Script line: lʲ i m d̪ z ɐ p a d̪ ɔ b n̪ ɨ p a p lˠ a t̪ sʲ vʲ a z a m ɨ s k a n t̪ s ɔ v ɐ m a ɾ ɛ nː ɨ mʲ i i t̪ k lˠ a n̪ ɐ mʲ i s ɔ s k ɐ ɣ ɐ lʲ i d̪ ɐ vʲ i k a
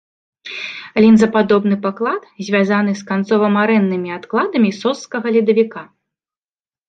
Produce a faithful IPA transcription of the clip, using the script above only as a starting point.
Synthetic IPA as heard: lʲ i n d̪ z ɐ p a d̪ ɔ b n̪ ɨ p a k lˠ a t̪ zʲ vʲ a z a n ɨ s k a n t̪ s ɔ v ɐ m a ɾ ɛ nː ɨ mʲ i a t̪ k lˠ a d̪ ɐ mʲ i s ɔ s k ɐ ɣ ɐ lʲ i d̪ ɐ vʲ i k a